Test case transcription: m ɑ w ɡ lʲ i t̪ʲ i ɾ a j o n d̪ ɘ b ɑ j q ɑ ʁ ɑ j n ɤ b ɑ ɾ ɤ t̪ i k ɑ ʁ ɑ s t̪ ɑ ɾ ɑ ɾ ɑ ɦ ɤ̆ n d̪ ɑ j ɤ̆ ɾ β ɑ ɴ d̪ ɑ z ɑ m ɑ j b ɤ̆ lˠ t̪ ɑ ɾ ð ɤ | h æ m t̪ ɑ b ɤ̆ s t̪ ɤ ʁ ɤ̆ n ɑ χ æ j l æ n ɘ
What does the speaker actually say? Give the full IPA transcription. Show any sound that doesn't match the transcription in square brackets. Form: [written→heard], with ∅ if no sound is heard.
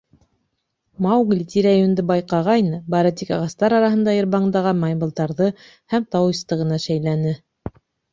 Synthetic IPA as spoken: m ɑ w ɡ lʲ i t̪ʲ i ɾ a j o n d̪ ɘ b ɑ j q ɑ ʁ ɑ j n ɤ b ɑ ɾ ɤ t̪ i k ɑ ʁ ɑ s t̪ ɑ ɾ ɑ ɾ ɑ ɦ ɤ̆ n d̪ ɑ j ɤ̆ ɾ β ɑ ɴ d̪ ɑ [z→ʁ] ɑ m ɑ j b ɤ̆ lˠ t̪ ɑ ɾ ð ɤ | h æ m t̪ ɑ [b→w] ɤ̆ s t̪ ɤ ʁ ɤ̆ n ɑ [χ→ʃ] æ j l æ n ɘ

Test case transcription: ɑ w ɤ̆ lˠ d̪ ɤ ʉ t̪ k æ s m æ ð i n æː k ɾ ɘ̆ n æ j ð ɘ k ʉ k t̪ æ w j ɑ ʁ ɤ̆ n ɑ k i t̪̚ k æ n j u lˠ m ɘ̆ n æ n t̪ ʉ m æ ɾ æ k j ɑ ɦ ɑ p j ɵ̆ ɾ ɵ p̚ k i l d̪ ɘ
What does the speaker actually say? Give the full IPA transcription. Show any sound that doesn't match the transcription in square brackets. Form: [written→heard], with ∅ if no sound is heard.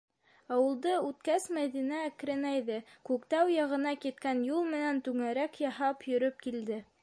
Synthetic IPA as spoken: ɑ w ɤ̆ lˠ d̪ ɤ ʉ t̪ k æ s m æ ð i n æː k ɾ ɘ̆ n æ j ð ɘ k ʉ k t̪ æ w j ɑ ʁ ɤ̆ n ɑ k i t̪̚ k æ n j u lˠ m ɘ̆ n æ n t̪ ʉ [m→ŋ] æ ɾ æ k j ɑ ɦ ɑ p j ɵ̆ ɾ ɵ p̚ k i l d̪ ɘ

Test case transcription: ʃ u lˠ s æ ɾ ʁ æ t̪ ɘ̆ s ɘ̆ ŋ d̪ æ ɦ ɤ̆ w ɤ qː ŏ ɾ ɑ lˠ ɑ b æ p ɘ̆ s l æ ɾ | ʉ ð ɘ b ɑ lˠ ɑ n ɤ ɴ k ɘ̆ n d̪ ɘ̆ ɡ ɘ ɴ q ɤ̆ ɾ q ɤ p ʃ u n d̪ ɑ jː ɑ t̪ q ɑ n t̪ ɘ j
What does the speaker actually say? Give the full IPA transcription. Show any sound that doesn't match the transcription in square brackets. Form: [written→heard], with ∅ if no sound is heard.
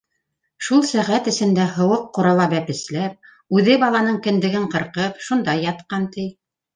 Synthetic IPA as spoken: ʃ u lˠ s æ [ɾ→∅] ʁ æ t̪ ɘ̆ s ɘ̆ [ŋ→n] d̪ æ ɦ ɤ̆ w ɤ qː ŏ ɾ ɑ lˠ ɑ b æ p ɘ̆ s l æ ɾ | ʉ ð ɘ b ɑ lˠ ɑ n ɤ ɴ k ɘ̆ n d̪ ɘ̆ ɡ ɘ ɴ q ɤ̆ ɾ q ɤ p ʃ u n d̪ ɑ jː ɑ t̪ q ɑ n t̪ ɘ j

